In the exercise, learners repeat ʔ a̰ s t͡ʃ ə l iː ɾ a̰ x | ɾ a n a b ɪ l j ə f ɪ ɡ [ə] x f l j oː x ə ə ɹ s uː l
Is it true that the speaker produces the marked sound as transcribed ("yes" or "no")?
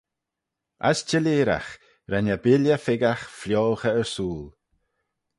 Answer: no